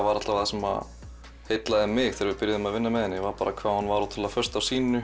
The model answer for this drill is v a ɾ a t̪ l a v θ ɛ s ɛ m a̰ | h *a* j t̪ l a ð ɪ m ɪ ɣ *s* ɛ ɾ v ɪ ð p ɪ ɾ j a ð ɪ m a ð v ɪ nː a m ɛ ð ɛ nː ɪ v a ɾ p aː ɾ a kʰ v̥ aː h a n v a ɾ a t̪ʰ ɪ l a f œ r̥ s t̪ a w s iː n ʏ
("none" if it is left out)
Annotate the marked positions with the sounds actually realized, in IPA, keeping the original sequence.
e, θ

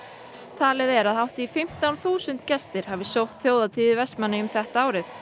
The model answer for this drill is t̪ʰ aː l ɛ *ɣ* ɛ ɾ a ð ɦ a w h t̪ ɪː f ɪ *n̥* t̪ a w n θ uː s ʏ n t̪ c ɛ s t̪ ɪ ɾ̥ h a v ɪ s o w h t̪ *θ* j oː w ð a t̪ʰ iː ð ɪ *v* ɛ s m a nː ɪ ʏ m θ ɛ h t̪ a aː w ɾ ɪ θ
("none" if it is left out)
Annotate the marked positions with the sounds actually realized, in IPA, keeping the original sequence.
ð, m̥, θ, v

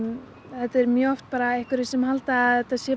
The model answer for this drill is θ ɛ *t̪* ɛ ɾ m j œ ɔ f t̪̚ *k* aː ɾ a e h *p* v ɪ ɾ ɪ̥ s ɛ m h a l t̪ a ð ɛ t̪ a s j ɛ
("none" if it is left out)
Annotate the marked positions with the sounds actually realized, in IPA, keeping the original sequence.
t̪, p, k

